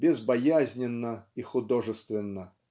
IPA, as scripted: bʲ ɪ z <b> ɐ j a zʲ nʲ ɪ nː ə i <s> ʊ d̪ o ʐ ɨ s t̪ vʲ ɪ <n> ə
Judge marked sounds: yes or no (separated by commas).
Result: yes, no, no